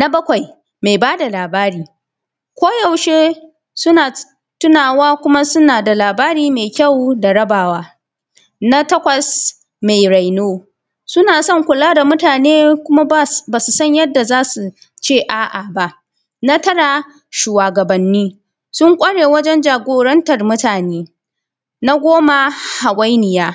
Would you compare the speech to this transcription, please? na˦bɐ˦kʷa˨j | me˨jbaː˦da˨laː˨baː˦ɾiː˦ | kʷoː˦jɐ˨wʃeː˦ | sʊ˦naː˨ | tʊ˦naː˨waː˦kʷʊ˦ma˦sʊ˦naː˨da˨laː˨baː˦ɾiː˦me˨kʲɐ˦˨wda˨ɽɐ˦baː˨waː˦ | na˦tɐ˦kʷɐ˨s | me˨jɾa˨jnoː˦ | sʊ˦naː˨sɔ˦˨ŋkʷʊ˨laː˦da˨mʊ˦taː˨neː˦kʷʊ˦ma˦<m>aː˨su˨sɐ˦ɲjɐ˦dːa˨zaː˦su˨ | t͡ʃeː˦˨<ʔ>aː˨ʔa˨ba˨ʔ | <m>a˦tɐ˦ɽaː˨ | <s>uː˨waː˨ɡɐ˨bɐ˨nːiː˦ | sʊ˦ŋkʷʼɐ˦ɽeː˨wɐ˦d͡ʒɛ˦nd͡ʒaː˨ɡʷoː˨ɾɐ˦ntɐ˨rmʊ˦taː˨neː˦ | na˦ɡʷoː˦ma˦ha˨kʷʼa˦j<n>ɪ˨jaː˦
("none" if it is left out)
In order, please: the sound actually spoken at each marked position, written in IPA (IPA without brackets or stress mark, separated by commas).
b, ʔ, n, ʃ, n